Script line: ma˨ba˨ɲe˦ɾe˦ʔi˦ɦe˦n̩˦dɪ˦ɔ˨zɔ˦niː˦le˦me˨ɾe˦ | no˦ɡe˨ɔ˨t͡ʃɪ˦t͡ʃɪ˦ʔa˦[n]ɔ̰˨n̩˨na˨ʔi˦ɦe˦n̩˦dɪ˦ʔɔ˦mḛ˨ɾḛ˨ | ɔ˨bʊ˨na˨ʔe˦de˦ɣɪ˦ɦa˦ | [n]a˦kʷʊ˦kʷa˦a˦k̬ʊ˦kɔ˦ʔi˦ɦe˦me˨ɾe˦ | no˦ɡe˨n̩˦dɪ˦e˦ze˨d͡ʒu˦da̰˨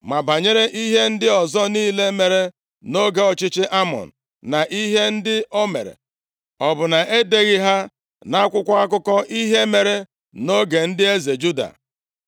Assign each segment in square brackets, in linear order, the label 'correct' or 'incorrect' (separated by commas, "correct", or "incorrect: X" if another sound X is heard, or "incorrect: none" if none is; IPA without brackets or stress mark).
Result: incorrect: m, correct